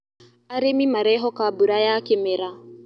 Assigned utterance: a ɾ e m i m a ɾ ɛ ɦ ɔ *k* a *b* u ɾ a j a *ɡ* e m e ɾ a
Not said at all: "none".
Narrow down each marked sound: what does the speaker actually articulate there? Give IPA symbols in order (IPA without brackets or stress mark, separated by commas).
k, b, k